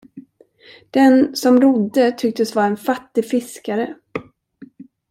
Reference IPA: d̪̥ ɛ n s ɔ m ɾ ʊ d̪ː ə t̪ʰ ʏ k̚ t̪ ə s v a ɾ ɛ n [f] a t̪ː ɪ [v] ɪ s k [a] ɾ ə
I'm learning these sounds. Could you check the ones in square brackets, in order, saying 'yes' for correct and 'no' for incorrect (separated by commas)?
yes, no, yes